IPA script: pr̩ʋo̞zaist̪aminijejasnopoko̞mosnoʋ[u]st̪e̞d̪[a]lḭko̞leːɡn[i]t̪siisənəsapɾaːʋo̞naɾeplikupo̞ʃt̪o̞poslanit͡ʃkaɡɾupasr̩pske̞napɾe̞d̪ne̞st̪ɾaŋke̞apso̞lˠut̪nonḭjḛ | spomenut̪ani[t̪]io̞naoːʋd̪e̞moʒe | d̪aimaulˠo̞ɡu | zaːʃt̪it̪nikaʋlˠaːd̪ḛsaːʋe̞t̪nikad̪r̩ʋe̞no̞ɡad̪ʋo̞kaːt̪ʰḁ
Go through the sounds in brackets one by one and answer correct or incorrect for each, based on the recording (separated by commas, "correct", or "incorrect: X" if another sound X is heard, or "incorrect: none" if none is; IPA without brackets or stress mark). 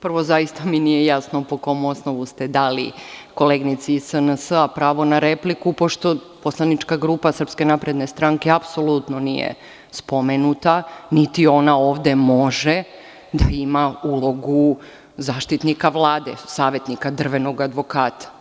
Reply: correct, correct, correct, correct